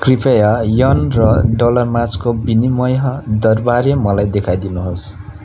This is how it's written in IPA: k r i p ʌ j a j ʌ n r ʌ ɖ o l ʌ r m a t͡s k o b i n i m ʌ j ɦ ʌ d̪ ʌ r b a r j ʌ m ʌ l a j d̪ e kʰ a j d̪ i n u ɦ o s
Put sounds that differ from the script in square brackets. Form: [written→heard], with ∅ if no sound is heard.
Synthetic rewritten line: k r i p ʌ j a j ʌ n r ʌ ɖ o l ʌ r m a t͡s k o b i n i m ʌ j ɦ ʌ d̪ ʌ r b a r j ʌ m ʌ l a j d̪ e kʰ a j d̪ i n u ɦ o s